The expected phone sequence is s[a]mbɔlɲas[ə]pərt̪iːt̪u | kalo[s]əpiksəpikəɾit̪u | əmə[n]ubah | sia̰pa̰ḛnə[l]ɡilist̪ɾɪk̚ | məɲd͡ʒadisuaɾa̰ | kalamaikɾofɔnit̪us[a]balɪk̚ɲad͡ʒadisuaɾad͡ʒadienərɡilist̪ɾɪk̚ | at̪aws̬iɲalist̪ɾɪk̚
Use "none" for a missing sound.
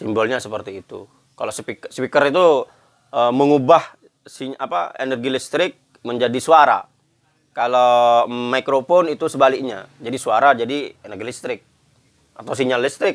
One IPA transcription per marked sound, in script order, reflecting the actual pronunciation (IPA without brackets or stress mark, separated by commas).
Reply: i, ə, s, ŋ, r, ə